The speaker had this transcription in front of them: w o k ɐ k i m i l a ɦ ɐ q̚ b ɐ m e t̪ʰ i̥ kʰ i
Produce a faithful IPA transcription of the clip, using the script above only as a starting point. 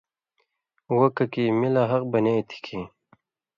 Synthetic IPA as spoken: w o k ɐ k i m i l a ɦ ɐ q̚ b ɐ n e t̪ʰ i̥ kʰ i